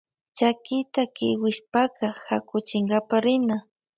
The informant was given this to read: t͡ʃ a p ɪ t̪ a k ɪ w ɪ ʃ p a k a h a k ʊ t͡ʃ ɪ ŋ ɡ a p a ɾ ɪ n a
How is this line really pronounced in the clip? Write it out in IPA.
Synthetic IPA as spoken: t͡ʃ a k ɪ t̪ a k ɪ w ɪ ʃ p a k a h a k ʊ t͡ʃ ɪ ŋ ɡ a p a ɾ ɪ n a